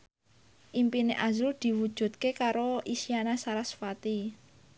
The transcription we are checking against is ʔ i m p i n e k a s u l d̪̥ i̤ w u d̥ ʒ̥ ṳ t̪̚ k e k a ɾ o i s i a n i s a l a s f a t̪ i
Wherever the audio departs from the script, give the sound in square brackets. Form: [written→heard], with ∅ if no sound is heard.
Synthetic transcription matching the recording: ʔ i m p i n e [k→ʔ] a [s→z] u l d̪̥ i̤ w u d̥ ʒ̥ ṳ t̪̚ k e k a ɾ o i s i a n [i→a] s a [l→ɾ] a s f a t̪ i